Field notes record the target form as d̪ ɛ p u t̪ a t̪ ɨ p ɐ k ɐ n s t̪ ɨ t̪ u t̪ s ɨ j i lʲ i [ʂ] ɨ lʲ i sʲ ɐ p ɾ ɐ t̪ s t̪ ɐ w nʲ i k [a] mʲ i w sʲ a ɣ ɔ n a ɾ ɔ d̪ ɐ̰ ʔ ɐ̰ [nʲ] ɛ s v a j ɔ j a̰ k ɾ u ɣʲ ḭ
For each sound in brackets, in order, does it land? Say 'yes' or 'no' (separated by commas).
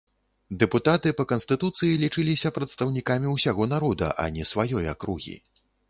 no, yes, yes